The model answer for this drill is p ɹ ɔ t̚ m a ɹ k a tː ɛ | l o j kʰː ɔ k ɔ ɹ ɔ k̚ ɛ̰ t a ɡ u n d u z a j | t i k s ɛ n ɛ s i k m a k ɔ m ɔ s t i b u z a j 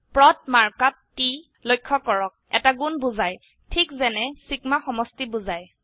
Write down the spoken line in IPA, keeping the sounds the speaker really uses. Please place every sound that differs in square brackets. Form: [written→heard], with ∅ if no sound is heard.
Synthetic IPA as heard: p ɹ ɔ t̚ m a ɹ k a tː [ɛ→i] | l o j kʰː ɔ k ɔ ɹ ɔ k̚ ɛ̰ t a ɡ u n [d→b] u z a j | [t→tʰ] i k [s→z] ɛ n ɛ s i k m a [k→x] ɔ m ɔ s t i b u z a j